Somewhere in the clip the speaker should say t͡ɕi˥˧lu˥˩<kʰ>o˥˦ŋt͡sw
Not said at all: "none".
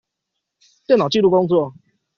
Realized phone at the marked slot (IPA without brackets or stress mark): k